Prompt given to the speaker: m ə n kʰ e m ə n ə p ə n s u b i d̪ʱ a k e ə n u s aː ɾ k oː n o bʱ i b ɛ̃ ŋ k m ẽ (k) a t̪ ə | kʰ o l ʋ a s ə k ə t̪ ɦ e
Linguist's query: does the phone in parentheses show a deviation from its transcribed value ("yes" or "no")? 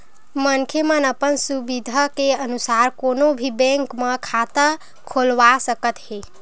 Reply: yes